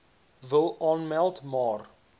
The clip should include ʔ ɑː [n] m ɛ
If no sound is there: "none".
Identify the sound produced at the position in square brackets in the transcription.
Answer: n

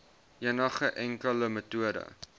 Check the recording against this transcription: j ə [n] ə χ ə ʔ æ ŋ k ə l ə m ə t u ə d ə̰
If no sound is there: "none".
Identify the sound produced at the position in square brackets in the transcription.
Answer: n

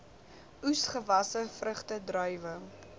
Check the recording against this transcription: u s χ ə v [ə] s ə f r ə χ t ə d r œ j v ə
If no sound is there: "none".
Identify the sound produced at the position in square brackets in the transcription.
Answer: ɐ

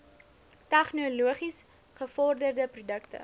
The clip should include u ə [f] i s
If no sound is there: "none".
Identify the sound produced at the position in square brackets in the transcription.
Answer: χ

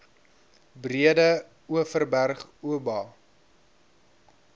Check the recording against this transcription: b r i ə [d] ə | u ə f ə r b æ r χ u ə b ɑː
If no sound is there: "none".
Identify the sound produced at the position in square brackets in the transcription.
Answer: d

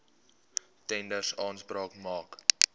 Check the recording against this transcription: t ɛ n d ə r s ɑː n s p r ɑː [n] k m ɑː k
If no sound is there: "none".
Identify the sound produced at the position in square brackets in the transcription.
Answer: none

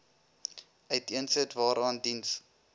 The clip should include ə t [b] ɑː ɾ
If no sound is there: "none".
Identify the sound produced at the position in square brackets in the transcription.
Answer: v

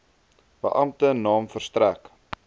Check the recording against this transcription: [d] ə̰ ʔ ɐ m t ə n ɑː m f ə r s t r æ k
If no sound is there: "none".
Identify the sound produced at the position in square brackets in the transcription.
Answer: b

